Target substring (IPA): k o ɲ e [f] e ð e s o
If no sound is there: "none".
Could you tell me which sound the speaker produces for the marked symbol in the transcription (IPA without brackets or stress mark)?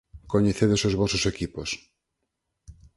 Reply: θ